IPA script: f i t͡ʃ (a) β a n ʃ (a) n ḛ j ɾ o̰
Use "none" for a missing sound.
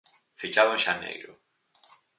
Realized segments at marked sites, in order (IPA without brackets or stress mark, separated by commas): a, a